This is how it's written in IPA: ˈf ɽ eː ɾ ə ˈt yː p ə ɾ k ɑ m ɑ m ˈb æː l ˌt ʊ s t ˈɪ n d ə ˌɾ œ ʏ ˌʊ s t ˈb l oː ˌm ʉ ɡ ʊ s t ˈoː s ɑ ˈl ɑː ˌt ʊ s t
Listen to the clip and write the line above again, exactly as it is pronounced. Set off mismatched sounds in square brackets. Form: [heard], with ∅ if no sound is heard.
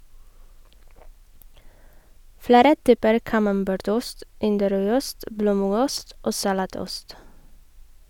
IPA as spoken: ˈf ɽ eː ɾ ə ˈt yː p ə ɾ k ɑ m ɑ m ˈb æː [ɾ] ˌt ʊ s t ˈɪ n d ə ˌɾ œ ʏ ˌʊ s t ˈb l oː ˌm ʉ ɡ ʊ s t ˈoː s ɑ ˈl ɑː ˌt ʊ s t